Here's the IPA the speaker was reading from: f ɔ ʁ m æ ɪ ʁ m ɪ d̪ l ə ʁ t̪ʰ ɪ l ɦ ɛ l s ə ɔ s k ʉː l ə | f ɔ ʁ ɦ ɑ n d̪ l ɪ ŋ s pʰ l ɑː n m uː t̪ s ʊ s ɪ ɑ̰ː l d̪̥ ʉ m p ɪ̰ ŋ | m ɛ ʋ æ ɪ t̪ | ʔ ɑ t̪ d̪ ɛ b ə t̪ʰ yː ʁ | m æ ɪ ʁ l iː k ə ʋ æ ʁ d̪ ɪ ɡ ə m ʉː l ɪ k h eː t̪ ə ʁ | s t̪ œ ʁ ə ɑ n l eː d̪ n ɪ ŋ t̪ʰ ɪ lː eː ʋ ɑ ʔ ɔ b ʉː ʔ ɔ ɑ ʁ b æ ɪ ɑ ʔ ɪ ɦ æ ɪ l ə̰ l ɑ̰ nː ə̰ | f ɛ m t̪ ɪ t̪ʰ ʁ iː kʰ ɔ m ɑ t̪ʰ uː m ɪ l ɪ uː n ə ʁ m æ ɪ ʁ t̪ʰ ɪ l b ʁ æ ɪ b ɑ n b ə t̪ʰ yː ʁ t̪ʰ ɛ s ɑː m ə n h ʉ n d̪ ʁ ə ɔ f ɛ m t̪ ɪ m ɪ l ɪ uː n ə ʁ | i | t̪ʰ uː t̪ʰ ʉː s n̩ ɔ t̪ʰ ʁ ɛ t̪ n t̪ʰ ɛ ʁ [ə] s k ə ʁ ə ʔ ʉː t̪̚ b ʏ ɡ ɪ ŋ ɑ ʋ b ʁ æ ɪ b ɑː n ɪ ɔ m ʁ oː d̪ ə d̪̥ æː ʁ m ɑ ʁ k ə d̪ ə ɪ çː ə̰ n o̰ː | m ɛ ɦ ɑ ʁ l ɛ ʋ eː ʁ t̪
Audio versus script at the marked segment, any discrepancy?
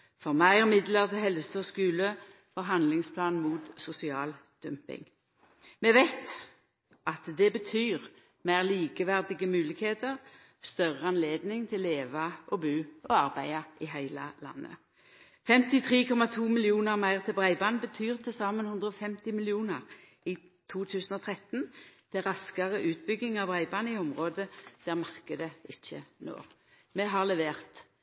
yes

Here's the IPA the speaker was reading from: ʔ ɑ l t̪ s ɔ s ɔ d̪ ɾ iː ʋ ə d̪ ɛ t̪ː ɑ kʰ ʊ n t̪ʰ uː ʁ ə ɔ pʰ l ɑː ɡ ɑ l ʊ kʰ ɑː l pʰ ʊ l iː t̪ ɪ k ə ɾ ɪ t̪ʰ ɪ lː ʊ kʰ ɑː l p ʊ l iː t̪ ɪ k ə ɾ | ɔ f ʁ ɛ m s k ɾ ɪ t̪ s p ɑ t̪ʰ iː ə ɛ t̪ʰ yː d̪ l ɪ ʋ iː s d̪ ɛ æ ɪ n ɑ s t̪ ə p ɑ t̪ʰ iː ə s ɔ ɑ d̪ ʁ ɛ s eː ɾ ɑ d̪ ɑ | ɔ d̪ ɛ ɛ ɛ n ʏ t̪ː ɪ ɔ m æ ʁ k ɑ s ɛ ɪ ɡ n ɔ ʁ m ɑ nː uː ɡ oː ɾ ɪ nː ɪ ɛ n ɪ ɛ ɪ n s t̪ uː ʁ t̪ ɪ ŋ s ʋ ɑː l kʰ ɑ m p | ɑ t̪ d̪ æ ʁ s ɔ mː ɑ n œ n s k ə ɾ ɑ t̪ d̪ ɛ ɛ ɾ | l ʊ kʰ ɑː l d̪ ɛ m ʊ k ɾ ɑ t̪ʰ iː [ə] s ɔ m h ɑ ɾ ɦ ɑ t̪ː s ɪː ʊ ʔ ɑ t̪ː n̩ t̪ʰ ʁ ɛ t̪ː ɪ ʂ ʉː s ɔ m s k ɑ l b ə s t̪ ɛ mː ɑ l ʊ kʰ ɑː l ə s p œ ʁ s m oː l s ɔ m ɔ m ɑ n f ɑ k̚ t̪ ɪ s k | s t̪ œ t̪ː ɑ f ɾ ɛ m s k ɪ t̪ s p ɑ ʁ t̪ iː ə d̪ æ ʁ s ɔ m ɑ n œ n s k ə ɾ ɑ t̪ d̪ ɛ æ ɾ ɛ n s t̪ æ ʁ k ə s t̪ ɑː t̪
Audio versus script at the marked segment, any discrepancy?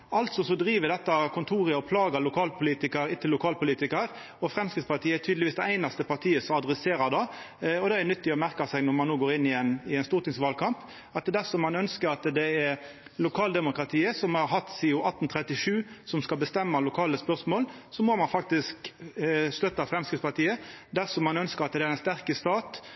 no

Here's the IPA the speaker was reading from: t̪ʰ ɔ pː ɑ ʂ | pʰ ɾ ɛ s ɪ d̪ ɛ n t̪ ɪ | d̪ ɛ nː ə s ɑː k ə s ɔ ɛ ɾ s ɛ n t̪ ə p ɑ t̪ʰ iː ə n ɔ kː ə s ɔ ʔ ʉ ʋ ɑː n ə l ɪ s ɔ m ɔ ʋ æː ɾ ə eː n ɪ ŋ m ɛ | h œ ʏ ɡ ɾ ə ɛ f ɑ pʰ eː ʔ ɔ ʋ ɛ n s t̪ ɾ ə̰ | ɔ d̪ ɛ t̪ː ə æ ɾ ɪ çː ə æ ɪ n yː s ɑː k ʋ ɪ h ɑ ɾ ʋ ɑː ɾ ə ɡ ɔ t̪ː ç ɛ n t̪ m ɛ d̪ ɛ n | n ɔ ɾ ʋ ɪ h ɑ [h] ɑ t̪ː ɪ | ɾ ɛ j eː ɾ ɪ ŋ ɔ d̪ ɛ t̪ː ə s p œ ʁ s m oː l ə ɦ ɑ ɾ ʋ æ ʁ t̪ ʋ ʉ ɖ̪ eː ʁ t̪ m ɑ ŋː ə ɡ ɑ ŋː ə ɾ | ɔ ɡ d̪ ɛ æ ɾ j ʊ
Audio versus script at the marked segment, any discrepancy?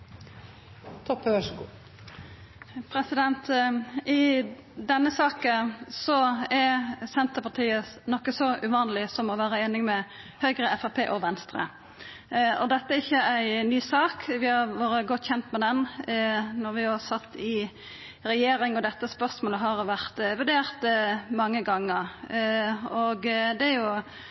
yes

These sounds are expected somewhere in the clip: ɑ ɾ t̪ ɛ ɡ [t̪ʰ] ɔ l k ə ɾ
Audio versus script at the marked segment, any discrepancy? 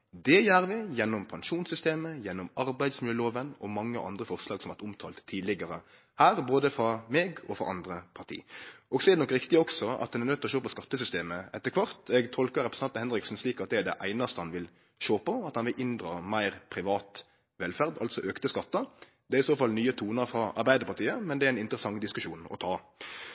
no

